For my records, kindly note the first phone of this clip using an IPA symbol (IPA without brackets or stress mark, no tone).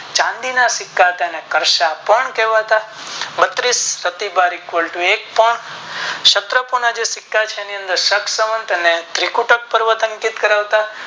t͡ʃ